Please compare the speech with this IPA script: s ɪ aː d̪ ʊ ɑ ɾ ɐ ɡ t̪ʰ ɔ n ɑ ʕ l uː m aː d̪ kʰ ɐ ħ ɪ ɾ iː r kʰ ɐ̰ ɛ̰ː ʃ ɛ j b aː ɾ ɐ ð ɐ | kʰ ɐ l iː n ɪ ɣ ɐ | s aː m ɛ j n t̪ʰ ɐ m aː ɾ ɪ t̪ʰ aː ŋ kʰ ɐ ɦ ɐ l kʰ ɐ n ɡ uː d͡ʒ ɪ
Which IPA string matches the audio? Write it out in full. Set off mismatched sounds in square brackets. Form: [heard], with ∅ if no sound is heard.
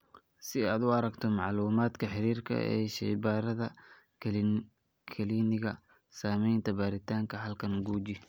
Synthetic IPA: s ɪ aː d̪ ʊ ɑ ɾ ɐ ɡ t̪ʰ ɔ [m] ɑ ʕ l uː m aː d̪ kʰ ɐ ħ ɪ ɾ iː r kʰ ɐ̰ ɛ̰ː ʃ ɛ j b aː ɾ ɐ ð ɐ | kʰ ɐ l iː n ɪ ɣ ɐ | s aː m ɛ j n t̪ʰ ɐ [b] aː ɾ ɪ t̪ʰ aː ŋ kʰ ɐ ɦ ɐ l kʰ ɐ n ɡ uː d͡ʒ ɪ